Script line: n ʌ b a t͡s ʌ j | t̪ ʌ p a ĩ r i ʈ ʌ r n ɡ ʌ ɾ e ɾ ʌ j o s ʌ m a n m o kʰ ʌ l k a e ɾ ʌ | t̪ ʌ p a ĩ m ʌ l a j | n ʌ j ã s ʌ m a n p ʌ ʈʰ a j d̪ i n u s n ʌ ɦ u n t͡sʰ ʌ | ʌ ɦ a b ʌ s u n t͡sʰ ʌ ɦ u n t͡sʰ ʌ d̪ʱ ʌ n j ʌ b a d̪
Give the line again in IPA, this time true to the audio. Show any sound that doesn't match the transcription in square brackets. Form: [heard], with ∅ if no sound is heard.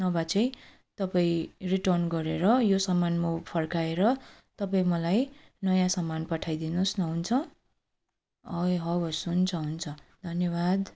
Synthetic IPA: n ʌ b a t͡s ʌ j | t̪ ʌ p a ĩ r i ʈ ʌ r n ɡ ʌ ɾ e ɾ ʌ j o s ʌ m a n m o [pʰ] ʌ [r] k a e ɾ ʌ | t̪ ʌ p a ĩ m ʌ l a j | n ʌ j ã s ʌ m a n p ʌ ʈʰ a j d̪ i n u s n ʌ ɦ u n t͡sʰ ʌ | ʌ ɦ [ʌ] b ʌ s u n t͡sʰ ʌ ɦ u n t͡sʰ ʌ d̪ʱ ʌ n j ʌ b a d̪